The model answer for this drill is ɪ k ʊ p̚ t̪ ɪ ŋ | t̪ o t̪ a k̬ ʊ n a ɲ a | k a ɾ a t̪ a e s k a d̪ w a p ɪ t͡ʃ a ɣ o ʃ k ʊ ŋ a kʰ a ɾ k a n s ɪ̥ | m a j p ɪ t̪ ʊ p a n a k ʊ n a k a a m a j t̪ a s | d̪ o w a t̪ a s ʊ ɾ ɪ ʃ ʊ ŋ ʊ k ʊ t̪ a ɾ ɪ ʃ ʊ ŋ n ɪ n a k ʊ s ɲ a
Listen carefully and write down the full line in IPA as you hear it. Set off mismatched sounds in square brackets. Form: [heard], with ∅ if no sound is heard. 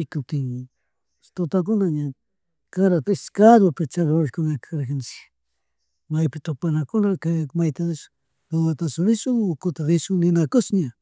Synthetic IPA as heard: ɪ k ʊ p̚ t̪ ɪ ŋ | t̪ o t̪ a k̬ ʊ n a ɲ a | k a ɾ a t̪ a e s k a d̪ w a p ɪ t͡ʃ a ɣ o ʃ k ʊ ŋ a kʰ a ɾ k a n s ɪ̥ | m a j p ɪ t̪ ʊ p a n a k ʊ n a k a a m a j t̪ a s | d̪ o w a t̪ a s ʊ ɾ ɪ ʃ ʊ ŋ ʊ k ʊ t̪ a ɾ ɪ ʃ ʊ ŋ n ɪ n a k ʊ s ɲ a